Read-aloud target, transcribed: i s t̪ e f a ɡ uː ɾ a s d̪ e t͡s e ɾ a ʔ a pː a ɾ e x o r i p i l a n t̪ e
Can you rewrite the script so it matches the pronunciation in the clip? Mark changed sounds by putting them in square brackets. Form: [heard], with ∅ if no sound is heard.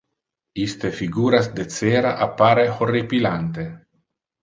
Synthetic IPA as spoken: i s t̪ e f [i] ɡ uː ɾ a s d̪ e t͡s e ɾ a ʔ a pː a ɾ e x o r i p i l a n t̪ e